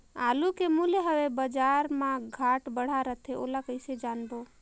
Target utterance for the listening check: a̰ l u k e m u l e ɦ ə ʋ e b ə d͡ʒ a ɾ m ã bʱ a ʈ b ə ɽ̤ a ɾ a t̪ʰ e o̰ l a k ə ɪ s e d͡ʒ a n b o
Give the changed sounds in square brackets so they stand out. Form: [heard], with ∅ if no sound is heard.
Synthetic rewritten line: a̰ l u k e m u l e ɦ ə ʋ e b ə d͡ʒ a ɾ m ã [ɡʱ] a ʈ b ə ɽ̤ a ɾ [ə] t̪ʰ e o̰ l a k ə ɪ s e d͡ʒ a n b o